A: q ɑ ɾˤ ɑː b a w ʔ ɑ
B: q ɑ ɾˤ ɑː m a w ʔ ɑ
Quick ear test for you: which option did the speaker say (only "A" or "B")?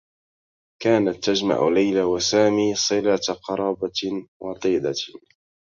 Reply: A